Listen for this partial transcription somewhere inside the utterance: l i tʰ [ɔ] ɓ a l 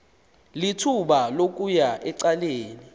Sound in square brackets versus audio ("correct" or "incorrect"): incorrect